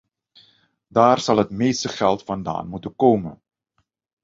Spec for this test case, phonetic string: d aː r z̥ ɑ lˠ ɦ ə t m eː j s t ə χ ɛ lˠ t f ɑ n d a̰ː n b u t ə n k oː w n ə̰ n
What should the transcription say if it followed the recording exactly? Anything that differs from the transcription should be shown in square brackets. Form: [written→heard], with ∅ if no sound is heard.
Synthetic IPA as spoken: d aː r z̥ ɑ lˠ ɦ ə t m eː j s t ə χ ɛ lˠ t f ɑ n d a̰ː n [b→m] u t ə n k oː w [n→m] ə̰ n